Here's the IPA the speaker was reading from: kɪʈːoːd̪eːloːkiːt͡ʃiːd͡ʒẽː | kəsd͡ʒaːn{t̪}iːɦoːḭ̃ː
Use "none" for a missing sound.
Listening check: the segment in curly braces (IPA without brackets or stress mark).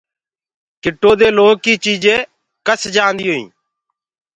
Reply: d̪